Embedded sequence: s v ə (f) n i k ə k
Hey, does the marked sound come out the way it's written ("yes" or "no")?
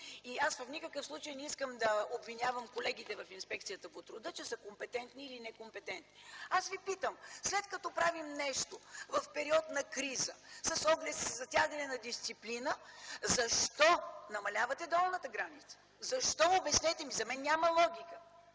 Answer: yes